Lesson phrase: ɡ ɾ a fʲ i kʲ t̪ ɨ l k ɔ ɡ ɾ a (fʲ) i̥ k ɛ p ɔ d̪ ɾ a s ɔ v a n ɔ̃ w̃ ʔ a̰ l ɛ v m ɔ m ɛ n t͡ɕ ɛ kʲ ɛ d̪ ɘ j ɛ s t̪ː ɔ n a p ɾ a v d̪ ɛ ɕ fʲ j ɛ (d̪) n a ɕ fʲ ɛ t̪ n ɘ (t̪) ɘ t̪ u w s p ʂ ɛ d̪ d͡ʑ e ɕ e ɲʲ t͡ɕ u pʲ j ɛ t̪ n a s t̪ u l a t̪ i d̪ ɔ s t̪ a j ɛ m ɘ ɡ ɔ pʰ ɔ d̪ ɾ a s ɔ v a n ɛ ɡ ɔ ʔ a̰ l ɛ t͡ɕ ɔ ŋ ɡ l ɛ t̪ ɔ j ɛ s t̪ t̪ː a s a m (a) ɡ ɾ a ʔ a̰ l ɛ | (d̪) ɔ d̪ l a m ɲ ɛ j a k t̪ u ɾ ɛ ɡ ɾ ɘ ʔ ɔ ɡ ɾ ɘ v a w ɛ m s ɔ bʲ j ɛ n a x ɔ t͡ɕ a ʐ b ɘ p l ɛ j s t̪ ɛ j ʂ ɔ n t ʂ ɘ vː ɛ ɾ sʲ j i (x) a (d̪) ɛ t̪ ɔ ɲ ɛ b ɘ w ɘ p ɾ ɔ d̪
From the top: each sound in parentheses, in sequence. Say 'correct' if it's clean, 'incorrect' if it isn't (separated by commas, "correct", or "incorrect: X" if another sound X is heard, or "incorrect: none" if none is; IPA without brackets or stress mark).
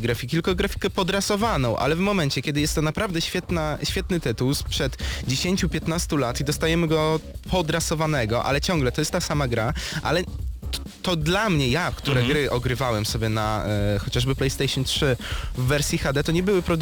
correct, incorrect: t̪, correct, correct, incorrect: t̪, correct, correct